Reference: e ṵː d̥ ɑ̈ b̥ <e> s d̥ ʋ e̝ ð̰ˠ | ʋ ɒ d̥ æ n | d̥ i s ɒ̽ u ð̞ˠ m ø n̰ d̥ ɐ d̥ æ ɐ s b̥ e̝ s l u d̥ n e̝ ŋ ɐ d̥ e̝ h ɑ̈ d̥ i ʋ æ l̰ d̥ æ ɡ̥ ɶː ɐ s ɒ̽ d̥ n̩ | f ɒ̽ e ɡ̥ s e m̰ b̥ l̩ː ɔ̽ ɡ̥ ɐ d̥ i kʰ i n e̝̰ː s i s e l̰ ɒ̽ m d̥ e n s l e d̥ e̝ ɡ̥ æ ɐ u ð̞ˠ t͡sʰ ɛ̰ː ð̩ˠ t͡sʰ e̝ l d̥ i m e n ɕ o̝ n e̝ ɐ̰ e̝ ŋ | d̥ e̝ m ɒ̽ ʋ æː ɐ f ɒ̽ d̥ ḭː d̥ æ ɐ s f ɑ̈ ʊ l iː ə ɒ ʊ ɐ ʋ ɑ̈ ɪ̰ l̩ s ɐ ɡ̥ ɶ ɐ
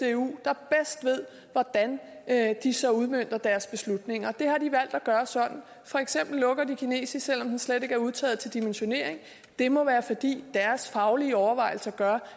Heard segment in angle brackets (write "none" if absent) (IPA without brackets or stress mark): e